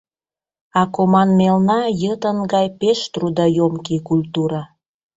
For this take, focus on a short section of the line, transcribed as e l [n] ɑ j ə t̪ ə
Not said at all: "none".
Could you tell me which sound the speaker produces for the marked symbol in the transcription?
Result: n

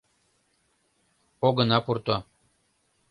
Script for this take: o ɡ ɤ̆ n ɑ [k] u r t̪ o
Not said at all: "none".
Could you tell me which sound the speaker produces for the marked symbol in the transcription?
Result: p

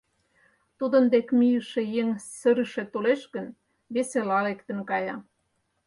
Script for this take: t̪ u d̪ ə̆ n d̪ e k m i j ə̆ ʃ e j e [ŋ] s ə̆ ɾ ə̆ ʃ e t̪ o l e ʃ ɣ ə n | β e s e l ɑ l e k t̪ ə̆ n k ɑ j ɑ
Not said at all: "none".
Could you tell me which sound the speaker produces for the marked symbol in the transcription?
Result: ŋ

